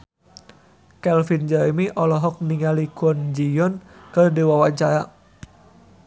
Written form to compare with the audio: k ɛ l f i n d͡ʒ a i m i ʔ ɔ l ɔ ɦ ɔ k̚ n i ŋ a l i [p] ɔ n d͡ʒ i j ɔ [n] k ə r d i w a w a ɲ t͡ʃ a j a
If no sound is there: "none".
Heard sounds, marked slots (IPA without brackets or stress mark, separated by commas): k, n